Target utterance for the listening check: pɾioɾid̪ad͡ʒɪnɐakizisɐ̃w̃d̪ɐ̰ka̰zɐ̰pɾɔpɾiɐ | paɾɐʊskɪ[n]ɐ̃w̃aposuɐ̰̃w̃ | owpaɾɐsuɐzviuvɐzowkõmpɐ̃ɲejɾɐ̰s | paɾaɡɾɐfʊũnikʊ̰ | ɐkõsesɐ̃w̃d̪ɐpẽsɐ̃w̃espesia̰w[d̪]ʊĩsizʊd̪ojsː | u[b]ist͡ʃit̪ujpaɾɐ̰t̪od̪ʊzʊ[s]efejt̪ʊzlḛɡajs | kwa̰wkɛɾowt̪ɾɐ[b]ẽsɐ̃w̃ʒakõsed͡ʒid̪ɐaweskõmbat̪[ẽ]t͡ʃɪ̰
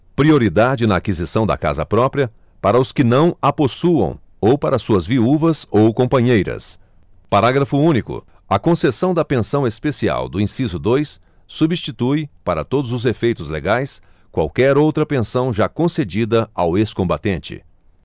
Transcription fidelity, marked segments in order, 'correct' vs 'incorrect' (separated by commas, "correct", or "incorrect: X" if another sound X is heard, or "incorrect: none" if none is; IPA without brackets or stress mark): correct, correct, correct, incorrect: z, incorrect: p, correct